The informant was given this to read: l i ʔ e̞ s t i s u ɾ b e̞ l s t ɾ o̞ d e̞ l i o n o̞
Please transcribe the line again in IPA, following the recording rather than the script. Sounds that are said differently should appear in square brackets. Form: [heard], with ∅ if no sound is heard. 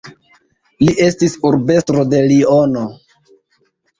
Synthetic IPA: l i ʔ e̞ s t i s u ɾ b e̞ [∅] s t ɾ o̞ d e̞ l i o n o̞